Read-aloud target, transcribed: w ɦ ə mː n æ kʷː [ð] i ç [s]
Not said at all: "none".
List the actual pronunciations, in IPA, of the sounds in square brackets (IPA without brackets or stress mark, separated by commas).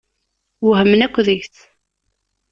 ð, θ